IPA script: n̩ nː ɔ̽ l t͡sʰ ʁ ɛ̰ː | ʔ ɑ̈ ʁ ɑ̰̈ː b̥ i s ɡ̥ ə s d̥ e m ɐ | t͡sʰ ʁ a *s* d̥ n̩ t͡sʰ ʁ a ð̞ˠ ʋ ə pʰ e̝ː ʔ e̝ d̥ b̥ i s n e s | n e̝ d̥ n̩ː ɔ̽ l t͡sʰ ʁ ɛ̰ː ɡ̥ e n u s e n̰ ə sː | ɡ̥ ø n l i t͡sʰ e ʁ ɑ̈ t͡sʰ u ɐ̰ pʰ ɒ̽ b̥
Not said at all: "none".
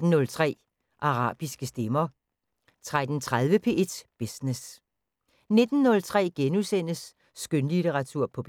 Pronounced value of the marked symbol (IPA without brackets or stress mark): none